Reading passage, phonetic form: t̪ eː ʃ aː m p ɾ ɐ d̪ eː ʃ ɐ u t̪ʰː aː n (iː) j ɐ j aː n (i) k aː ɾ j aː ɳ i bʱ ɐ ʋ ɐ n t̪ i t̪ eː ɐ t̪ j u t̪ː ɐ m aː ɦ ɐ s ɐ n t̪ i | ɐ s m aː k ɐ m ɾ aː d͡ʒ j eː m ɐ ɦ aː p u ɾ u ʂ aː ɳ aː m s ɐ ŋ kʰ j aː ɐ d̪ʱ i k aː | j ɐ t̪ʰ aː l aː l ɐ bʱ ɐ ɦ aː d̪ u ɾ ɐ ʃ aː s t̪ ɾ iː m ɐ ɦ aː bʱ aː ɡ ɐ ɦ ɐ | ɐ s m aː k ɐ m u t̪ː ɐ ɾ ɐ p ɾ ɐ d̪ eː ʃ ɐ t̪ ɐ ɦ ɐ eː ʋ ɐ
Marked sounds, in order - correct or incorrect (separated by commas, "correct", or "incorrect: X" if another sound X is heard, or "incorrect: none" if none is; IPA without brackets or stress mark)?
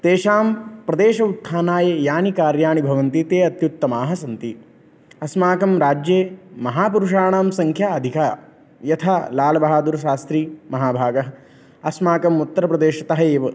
incorrect: aː, correct